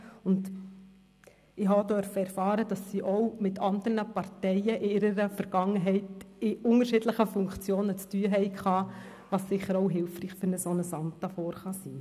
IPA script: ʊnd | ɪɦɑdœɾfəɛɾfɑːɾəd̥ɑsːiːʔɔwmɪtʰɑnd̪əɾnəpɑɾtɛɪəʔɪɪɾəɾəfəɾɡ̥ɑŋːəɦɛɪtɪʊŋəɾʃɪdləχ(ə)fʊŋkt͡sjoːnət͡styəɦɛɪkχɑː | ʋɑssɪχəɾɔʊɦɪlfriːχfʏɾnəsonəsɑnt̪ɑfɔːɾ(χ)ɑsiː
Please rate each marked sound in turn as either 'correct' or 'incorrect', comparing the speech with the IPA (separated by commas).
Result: correct, correct